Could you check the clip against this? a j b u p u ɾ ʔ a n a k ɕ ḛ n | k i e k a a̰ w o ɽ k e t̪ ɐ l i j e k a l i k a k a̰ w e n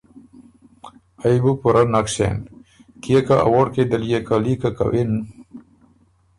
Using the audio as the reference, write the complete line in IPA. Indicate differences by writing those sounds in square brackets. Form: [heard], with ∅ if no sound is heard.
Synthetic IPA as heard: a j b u p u ɾ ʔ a n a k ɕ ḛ n | k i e k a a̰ w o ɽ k e [d̪] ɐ l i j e k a l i k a k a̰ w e n